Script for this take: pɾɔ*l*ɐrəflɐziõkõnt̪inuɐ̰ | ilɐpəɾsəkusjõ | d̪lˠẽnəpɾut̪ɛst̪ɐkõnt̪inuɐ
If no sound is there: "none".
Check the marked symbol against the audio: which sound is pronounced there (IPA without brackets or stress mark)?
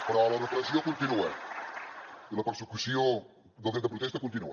l